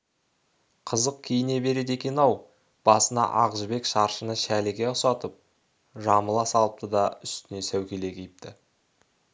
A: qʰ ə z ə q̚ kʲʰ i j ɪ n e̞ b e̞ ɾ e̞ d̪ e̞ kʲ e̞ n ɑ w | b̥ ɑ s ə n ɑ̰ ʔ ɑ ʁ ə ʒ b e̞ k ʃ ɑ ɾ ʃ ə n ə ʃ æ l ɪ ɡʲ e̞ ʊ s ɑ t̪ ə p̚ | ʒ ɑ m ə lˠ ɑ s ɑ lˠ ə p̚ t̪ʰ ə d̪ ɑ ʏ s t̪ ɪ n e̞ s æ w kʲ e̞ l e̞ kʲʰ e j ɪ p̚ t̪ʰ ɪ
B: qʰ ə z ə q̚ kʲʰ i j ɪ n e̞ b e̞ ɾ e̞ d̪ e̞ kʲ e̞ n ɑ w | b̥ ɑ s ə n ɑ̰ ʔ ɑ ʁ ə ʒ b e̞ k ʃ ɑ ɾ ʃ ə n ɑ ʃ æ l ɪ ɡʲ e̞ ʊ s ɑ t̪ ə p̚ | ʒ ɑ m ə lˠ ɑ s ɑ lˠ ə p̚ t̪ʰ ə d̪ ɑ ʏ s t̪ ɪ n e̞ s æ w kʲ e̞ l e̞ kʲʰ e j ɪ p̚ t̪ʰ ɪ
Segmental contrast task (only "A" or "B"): A